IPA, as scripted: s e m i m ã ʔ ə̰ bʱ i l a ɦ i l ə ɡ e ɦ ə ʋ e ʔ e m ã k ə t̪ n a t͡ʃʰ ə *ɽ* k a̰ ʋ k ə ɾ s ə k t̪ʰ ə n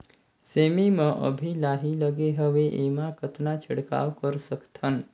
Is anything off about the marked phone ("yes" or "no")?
no